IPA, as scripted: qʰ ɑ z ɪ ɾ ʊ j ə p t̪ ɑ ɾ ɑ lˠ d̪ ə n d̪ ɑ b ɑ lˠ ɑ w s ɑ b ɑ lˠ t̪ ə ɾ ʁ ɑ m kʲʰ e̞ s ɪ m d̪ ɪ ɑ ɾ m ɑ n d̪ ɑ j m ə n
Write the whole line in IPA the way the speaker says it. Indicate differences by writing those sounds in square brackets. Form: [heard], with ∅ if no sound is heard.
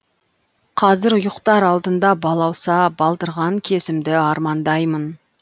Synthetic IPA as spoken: qʰ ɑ z ɪ ɾ ʊ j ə [q] t̪ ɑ ɾ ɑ lˠ d̪ ə n d̪ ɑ b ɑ lˠ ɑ w s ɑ b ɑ lˠ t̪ ə ɾ ʁ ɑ [ŋ] kʲʰ e̞ s ɪ m d̪ ɪ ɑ ɾ m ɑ n d̪ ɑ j m ə n